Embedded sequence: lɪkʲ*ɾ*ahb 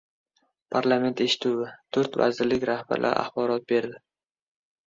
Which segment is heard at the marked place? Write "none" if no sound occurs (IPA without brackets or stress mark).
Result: ɾ